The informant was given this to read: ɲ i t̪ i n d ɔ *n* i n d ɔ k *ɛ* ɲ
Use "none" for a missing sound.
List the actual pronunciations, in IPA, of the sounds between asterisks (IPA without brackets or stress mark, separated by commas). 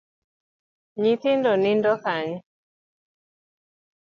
n, a